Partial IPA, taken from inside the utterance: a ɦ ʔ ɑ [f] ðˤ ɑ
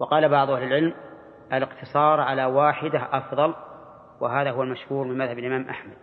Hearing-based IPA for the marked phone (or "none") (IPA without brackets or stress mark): f